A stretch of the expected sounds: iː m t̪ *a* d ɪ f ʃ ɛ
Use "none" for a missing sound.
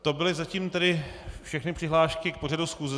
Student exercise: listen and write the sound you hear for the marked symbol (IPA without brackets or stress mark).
ɛ